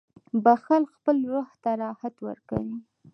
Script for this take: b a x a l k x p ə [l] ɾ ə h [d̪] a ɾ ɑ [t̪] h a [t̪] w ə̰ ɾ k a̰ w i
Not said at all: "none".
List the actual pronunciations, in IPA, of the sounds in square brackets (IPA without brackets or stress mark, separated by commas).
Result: l, t̪, none, t̪